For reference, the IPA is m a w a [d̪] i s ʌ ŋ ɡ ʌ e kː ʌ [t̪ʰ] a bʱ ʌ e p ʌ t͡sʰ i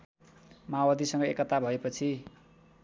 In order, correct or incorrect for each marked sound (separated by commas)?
correct, incorrect